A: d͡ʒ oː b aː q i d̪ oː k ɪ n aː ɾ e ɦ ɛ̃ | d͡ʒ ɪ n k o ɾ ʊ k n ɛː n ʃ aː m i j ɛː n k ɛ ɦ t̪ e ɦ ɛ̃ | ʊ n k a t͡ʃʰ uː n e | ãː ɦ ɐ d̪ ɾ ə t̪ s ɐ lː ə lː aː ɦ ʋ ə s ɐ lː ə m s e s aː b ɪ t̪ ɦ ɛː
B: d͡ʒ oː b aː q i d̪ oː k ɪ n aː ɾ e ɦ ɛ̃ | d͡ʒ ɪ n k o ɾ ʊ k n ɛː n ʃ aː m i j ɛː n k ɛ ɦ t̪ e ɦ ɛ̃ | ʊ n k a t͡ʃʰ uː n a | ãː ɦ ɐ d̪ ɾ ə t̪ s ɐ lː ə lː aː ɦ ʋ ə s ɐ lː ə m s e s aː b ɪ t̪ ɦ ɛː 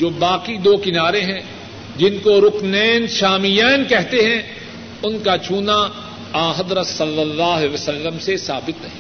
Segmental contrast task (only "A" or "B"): B